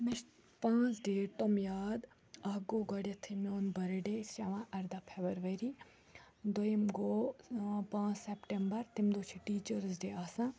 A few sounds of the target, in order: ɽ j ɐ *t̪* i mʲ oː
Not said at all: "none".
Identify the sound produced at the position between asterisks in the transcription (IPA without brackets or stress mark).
t̪ʰ